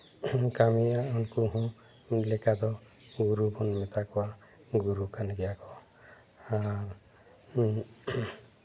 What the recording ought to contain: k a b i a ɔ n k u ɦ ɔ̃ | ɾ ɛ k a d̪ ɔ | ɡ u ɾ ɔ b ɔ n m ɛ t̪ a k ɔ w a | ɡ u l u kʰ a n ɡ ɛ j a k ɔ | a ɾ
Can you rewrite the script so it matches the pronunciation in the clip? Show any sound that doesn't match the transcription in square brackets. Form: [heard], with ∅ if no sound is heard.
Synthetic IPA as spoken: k a [m] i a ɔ n k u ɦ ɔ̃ | [l] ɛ k a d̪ ɔ | ɡ u ɾ [u] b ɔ n m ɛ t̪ a k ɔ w a | ɡ u [ɾ] u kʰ a n ɡ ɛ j a k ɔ | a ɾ